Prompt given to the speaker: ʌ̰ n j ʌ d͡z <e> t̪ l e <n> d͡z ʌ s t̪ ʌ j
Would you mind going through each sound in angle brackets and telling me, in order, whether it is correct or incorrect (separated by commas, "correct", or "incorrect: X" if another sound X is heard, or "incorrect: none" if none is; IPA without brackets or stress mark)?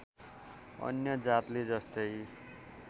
incorrect: a, incorrect: none